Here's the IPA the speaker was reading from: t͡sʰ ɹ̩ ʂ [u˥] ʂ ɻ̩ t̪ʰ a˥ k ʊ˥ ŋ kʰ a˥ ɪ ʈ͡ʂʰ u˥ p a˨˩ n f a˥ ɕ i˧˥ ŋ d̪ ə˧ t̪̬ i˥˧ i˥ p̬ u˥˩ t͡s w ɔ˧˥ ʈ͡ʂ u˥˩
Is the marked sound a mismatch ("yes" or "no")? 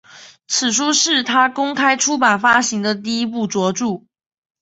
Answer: no